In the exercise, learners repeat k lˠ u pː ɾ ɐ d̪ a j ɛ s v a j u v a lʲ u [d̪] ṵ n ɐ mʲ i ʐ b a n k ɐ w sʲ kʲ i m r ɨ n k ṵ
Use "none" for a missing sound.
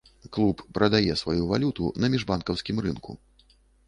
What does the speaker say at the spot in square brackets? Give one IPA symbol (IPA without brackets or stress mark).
t̪